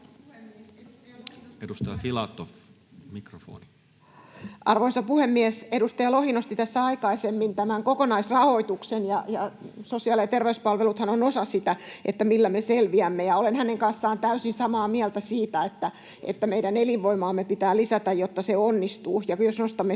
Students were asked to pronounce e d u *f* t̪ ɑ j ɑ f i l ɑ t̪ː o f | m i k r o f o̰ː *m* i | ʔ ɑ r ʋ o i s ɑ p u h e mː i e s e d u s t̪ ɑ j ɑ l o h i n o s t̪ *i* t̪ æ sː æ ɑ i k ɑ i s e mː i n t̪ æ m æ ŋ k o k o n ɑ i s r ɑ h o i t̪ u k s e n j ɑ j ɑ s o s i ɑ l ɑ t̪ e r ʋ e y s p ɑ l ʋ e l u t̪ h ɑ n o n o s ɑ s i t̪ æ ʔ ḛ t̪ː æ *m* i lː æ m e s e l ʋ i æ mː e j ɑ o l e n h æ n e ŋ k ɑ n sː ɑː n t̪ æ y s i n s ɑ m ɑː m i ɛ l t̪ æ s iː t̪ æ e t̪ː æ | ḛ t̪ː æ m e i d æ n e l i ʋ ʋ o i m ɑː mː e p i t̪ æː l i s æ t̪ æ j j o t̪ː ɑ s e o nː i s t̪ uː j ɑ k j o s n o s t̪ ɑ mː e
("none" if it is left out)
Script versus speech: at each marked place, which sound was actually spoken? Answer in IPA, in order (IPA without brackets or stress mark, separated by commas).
s, n, i, m